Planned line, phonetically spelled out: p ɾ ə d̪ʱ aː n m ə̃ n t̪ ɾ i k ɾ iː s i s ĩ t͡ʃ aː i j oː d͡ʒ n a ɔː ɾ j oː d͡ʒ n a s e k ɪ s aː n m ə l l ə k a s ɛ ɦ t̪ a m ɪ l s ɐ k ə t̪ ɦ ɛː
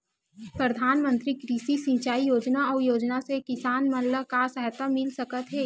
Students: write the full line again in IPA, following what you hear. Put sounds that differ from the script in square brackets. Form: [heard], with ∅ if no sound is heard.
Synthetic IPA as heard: p ɾ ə d̪ʱ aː n m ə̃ n t̪ ɾ i k ɾ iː s i s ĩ t͡ʃ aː i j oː d͡ʒ n a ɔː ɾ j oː d͡ʒ n a s e k ɪ s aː n m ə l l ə k a s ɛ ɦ t̪ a m ɪ l s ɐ k ə t̪ ɦ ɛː